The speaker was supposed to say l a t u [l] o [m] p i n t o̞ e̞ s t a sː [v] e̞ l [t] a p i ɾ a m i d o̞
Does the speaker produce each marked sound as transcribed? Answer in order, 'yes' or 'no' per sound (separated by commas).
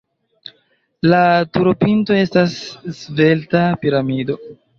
no, no, yes, yes